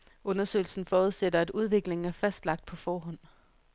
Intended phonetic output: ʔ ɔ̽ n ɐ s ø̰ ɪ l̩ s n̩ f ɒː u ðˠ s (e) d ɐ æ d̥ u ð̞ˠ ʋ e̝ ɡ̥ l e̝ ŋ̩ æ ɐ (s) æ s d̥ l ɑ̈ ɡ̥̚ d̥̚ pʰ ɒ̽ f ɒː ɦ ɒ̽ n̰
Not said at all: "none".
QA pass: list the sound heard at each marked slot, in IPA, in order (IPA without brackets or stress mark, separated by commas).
e, f